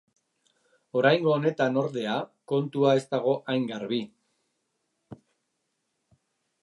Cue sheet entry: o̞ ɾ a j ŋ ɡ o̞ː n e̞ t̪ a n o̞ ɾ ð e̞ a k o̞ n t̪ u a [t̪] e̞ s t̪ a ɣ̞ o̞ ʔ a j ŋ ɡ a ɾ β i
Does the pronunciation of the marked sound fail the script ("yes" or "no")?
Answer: yes